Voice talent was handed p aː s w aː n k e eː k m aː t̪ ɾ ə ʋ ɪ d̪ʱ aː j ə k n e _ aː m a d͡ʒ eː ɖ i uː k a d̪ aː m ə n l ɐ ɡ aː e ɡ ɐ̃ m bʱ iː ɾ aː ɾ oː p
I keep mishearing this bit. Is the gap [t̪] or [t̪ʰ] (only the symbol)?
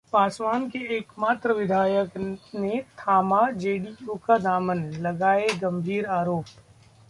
t̪ʰ